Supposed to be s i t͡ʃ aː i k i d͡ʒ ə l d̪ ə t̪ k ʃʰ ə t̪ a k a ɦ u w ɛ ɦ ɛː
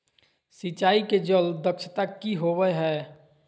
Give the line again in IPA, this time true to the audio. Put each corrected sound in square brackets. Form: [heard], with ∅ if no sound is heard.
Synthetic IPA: s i t͡ʃ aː i k [e] d͡ʒ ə l d̪ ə [∅] k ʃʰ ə t̪ a k [i] ɦ [o] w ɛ ɦ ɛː